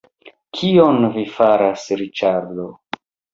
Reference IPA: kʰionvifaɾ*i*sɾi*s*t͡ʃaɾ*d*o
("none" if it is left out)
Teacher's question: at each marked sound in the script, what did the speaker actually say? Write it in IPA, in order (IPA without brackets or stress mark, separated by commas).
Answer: a, none, d